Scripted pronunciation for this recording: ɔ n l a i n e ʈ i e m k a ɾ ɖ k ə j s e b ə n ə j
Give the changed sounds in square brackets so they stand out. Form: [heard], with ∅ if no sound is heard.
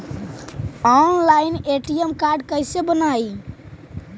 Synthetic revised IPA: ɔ n l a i n e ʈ i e m k a ɾ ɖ k ə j s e b ə n [a] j